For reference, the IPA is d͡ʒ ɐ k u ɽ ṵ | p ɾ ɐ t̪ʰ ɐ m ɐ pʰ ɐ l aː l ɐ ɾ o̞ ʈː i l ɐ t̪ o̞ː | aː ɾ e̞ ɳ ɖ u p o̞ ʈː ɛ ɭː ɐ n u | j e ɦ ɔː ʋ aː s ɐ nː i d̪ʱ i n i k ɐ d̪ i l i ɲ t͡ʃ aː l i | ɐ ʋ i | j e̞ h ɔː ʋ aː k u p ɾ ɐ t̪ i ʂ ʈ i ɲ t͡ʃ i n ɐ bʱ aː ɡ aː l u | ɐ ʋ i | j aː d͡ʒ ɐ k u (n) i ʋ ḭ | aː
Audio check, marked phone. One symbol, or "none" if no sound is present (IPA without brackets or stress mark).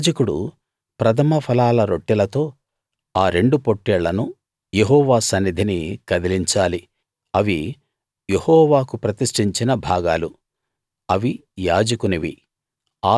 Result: n